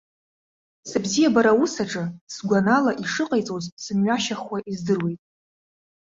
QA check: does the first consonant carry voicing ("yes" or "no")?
no